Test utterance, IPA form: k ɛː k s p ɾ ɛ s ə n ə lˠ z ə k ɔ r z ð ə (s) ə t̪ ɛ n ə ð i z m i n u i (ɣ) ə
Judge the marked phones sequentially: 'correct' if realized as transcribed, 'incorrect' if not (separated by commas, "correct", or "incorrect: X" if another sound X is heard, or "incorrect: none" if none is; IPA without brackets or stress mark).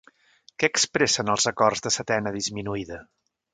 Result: correct, incorrect: ð